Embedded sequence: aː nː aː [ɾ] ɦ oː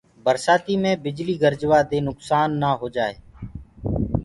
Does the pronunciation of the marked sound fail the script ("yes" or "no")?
yes